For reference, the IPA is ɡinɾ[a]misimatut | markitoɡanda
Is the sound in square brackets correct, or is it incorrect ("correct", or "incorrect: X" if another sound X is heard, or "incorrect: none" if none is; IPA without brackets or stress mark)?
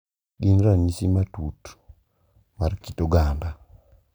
correct